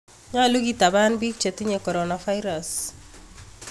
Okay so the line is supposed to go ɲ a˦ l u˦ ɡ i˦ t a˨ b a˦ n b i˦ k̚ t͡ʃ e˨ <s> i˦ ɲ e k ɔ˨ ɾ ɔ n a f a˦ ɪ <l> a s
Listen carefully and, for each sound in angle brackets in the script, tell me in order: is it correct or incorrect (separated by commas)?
incorrect, incorrect